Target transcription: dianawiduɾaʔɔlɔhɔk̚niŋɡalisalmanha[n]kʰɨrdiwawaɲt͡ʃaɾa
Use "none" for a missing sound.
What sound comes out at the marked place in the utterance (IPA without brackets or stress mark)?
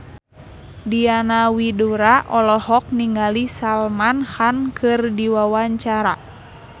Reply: n